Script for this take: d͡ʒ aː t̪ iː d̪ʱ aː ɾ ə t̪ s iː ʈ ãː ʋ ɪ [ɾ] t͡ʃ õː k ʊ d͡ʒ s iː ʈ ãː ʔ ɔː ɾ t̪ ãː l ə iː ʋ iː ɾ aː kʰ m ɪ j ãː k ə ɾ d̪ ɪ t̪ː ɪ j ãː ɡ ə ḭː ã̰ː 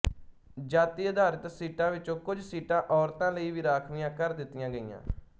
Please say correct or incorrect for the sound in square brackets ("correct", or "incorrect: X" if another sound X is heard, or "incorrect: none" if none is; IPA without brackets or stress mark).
incorrect: none